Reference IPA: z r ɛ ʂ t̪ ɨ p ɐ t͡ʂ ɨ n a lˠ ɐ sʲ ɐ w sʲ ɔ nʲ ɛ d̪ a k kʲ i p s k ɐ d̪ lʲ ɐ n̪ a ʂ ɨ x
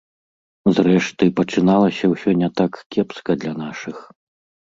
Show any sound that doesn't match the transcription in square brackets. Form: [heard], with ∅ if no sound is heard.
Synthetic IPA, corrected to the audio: z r ɛ ʂ t̪ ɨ p ɐ t͡ʂ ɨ n a lˠ ɐ sʲ ɐ w sʲ ɔ nʲ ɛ [t̪] a k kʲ [ɛ] p s k ɐ d̪ lʲ ɐ n̪ a ʂ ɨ x